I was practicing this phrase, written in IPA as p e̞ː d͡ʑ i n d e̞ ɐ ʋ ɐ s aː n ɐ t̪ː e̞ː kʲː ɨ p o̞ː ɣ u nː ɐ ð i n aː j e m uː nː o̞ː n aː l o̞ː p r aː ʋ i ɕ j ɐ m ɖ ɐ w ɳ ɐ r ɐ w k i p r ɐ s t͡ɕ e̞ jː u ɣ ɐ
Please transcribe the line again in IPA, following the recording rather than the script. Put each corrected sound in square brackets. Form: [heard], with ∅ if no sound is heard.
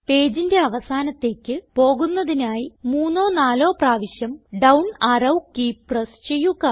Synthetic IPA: p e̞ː d͡ʑ i n d e̞ ɐ ʋ ɐ s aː n ɐ t̪ː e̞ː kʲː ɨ p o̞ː ɣ u nː ɐ ð i n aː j [i] m uː nː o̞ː n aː l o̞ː p r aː ʋ i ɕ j ɐ m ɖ ɐ w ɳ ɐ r ɐ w k i p r ɐ s t͡ɕ e̞ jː u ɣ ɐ